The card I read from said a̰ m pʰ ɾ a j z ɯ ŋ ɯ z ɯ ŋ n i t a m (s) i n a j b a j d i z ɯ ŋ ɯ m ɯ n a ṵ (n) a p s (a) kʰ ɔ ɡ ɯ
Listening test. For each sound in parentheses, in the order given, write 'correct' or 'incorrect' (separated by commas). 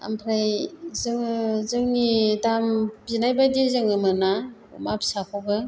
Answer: incorrect, incorrect, correct